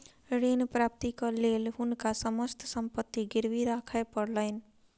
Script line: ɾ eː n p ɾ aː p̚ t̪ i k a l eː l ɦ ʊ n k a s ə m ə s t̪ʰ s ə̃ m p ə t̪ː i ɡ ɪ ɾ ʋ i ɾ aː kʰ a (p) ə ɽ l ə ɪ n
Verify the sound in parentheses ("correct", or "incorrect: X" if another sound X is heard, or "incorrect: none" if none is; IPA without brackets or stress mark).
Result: correct